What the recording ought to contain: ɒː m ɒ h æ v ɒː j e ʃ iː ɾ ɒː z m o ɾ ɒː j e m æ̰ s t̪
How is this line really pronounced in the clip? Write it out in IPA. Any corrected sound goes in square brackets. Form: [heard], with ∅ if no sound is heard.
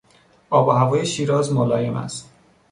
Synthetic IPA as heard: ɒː [b] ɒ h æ v ɒː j e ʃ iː ɾ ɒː z m o [l] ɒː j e m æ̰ s t̪